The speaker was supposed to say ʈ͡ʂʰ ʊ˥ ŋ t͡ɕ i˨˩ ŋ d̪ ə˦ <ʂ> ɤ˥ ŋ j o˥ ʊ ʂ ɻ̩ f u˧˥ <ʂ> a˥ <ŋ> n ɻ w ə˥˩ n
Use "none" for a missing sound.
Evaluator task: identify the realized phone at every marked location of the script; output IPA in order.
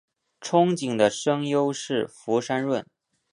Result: ʂ, ʂ, none

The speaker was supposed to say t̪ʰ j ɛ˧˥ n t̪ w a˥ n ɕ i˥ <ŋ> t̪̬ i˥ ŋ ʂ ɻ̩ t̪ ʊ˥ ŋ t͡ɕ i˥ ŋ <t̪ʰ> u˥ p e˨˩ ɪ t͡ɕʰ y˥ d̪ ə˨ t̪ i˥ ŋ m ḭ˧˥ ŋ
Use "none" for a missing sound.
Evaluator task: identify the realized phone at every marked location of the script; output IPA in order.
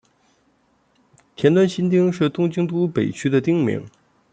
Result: n, t̪

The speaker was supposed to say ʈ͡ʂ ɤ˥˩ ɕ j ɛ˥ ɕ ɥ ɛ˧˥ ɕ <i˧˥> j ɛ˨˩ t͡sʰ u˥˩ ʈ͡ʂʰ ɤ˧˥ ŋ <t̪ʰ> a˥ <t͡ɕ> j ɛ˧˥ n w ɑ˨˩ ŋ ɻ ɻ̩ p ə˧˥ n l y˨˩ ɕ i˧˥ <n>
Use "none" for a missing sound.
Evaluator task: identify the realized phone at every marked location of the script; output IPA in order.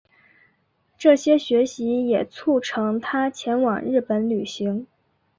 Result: i˧˥, t̪ʰ, t͡ɕʰ, ŋ

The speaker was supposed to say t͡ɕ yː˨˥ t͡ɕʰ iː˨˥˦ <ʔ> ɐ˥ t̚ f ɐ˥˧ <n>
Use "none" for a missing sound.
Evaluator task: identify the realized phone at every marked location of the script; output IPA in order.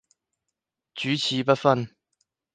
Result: p, n

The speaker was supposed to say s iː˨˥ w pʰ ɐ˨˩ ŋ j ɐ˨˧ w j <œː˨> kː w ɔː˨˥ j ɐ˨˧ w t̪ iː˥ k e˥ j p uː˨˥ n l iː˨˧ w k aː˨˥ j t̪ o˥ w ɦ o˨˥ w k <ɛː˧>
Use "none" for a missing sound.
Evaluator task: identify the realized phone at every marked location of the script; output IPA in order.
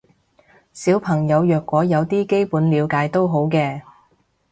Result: œː˨, ɛː˧

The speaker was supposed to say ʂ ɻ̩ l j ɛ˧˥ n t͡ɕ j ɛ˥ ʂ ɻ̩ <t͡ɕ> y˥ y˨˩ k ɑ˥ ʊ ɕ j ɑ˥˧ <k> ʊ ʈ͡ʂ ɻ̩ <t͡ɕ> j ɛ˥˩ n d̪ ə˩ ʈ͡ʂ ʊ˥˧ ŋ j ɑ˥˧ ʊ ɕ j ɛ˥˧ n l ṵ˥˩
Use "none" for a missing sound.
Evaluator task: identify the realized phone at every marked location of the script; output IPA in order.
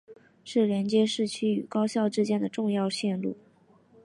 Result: t͡ɕʰ, none, t͡ɕ

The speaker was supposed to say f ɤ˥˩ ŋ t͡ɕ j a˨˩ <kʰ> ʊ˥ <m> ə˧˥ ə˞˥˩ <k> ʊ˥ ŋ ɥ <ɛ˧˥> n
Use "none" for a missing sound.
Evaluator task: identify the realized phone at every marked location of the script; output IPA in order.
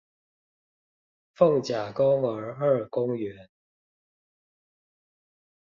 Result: k, ŋ, k, ɛ˧˥

